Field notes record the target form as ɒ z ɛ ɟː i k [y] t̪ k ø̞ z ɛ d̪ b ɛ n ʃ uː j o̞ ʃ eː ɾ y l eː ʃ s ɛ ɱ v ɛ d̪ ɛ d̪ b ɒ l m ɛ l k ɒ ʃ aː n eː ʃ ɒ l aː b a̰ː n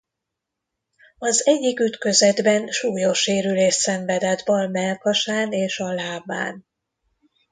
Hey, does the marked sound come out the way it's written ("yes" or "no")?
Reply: yes